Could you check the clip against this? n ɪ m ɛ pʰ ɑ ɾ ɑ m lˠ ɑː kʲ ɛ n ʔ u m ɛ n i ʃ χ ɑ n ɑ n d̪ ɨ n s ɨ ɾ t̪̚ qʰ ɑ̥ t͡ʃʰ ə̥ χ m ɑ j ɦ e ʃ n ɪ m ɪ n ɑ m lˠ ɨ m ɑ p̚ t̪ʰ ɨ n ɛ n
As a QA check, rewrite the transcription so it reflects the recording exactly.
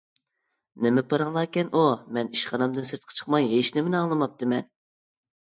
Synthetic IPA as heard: n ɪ m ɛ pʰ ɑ ɾ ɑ ŋ lˠ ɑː kʲ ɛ n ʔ u m ɛ n i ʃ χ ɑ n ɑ m d̪ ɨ n s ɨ ɾ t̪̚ qʰ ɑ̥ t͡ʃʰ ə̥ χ m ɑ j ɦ e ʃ n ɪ m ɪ n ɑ ŋ lˠ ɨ m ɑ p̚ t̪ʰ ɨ m ɛ n

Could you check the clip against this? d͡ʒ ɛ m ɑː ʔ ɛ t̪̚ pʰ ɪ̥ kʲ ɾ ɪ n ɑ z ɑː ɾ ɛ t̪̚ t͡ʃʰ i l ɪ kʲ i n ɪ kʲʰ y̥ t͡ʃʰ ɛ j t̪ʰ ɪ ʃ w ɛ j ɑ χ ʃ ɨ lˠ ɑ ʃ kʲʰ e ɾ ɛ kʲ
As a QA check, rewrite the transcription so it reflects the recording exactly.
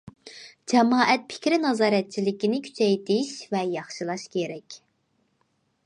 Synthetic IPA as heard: d͡ʒ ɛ m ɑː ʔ ɛ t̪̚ pʰ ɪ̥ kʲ ɾ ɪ n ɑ z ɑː ɾ ɛ t̪̚ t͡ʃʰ i l ɪ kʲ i n ɪ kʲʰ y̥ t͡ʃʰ ɛ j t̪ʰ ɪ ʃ v ɛ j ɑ χ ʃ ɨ lˠ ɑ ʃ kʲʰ e ɾ ɛ kʲ

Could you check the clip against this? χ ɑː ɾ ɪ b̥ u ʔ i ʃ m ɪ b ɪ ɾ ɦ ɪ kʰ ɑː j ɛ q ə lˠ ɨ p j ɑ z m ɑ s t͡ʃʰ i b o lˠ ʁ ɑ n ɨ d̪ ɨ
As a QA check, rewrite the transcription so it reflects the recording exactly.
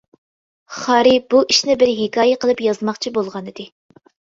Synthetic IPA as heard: χ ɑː ɾ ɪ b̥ u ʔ i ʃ n ɪ b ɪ ɾ ɦ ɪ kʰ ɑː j ɛ q ə lˠ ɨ p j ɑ z m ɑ χ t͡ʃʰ i b o lˠ ʁ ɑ n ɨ d̪ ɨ

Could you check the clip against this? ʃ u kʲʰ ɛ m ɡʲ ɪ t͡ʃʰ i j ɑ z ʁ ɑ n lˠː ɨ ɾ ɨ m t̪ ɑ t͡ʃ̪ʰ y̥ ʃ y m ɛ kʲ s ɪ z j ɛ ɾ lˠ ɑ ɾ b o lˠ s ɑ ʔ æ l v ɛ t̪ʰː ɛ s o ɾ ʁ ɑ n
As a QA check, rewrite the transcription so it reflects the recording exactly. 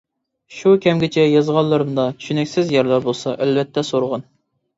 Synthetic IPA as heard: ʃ u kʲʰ ɛ m ɡʲ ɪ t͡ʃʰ ɛ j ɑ z ʁ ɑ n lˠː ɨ ɾ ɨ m d̪ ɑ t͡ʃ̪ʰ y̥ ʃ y n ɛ kʲ s ɪ z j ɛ ɾ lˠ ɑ ɾ b o lˠ s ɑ ʔ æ l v ɛ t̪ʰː ɛ s o ɾ ʁ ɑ n

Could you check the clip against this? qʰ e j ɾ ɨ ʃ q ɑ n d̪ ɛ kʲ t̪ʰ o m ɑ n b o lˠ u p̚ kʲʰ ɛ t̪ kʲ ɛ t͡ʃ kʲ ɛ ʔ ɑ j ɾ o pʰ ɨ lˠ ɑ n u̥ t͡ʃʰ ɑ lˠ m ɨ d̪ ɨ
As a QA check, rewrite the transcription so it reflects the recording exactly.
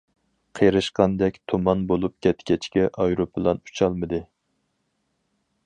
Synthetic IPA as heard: qʰ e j ɾ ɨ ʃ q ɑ n d̪ ɛ kʲ t̪ʰ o m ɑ n b o lˠ u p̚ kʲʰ ɛ t̪ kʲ ɛ t͡ʃ kʲ ɛ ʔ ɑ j ɾ o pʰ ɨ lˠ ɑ n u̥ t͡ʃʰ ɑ lˠ m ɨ d̪ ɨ

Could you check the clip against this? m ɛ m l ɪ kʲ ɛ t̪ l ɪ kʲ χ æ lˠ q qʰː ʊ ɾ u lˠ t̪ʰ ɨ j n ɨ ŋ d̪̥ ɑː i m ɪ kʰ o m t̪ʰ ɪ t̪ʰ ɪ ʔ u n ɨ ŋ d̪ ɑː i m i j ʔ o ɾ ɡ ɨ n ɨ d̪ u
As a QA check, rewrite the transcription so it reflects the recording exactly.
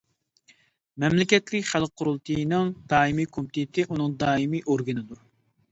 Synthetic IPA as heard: m ɛ m l ɪ kʲ ɛ t̪ l ɪ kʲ χ æ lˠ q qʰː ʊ ɾ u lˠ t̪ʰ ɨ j n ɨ ŋ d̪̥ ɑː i m i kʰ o m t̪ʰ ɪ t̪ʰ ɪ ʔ u n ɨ ŋ d̪ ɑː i m i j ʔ o ɾ ɡ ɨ n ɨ d̪ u

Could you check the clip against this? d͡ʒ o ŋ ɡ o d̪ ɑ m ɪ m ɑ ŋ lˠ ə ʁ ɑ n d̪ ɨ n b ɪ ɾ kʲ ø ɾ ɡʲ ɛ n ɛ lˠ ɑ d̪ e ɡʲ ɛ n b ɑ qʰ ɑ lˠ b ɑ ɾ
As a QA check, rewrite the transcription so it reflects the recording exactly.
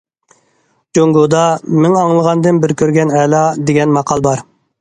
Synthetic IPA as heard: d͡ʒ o ŋ ɡ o d̪ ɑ m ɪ ŋ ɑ ŋ lˠ ə ʁ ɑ n d̪ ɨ n b ɪ ɾ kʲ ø ɾ ɡʲ ɛ n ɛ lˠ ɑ d̪ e ɡʲ ɛ n m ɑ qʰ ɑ lˠ b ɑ ɾ

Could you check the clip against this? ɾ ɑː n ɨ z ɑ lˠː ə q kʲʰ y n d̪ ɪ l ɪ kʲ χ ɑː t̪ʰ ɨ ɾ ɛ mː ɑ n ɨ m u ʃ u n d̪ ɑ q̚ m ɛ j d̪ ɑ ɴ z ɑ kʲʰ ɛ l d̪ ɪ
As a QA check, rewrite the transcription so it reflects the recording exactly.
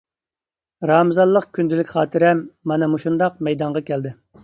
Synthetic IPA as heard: ɾ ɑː m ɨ z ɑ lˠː ə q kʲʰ y n d̪ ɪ l ɪ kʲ χ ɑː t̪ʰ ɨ ɾ ɛ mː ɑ n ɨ m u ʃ u n d̪ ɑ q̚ m ɛ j d̪ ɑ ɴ ʁ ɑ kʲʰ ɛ l d̪ ɪ

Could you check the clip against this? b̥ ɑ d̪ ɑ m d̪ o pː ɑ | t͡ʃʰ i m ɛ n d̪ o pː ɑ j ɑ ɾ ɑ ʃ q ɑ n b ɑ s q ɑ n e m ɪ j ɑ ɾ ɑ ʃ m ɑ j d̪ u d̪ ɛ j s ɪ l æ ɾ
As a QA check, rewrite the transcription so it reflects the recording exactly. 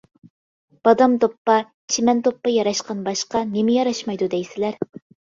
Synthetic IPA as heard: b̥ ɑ d̪ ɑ m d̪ o pː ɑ | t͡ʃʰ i m ɛ n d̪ o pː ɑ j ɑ ɾ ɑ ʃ q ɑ n b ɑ ʃ q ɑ n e m ɪ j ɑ ɾ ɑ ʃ m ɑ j d̪ u d̪ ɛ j s ɪ l æ ɾ

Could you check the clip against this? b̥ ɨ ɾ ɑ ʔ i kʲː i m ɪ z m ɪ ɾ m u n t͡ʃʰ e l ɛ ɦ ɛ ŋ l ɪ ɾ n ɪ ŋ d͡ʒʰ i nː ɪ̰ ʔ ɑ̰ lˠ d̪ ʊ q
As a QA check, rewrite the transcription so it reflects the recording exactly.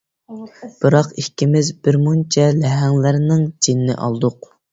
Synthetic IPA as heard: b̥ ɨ ɾ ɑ q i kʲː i m ɪ z b ɪ ɾ m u n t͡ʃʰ ɛ l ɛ ɦ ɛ ŋ l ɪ ɾ n ɪ ŋ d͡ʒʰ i nː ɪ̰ ʔ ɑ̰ lˠ d̪ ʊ q

